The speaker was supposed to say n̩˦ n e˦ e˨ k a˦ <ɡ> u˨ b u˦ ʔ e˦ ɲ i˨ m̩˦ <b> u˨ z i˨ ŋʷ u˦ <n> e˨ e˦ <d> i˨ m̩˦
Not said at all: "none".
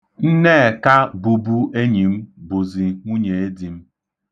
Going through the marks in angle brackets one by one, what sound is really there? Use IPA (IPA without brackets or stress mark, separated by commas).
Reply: b, b, ɲ, d